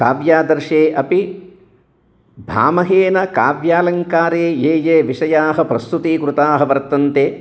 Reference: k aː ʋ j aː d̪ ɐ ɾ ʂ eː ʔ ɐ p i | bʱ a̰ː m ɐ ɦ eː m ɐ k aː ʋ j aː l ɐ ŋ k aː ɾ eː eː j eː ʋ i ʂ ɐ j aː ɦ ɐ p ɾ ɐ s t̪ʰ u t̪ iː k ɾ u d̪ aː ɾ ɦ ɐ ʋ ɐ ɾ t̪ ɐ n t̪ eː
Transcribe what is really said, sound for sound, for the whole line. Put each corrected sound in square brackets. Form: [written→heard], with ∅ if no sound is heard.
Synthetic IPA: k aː ʋ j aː d̪ ɐ ɾ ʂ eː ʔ ɐ p i | bʱ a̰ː m ɐ ɦ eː [m→n] ɐ k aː ʋ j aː l ɐ ŋ k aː ɾ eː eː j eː ʋ i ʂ ɐ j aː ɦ ɐ p ɾ ɐ s [t̪ʰ→t̪] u t̪ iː k ɾ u [d̪→t̪] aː [ɾ→∅] ɦ ɐ ʋ ɐ ɾ t̪ ɐ n t̪ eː